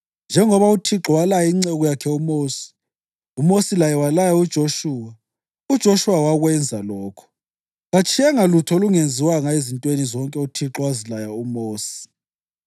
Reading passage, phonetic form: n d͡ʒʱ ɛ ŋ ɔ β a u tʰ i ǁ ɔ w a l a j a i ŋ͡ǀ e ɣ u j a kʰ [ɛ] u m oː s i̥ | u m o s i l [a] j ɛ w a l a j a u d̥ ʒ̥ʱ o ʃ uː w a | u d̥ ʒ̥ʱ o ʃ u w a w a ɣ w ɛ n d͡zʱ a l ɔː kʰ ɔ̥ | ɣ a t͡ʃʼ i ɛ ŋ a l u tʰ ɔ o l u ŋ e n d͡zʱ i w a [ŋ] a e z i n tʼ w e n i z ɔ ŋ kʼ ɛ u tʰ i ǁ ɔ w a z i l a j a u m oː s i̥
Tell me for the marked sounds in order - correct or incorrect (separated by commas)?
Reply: correct, correct, correct